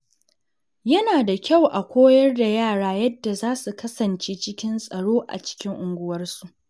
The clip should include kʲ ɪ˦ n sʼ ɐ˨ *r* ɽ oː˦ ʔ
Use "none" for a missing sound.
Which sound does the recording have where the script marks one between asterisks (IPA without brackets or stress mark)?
none